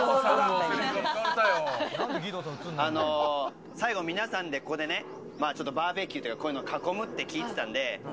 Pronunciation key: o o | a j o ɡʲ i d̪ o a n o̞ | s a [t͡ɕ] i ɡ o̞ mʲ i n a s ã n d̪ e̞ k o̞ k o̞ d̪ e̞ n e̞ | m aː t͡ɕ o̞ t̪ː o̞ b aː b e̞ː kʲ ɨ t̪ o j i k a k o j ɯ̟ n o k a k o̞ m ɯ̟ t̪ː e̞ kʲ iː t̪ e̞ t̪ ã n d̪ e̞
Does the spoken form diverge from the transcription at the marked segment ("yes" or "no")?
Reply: yes